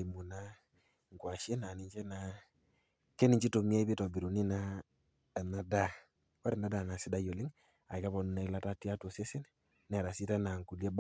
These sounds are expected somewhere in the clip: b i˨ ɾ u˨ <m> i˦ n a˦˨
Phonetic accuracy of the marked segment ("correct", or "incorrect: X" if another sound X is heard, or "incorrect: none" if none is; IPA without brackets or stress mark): incorrect: n